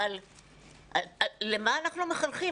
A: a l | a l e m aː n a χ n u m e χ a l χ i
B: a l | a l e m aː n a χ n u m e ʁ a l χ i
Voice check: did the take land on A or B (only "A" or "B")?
A